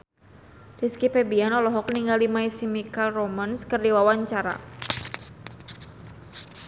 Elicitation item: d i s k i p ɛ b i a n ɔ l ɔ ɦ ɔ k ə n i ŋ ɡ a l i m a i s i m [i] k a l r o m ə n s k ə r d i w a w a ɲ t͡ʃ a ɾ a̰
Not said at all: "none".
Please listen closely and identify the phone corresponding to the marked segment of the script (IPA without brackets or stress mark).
i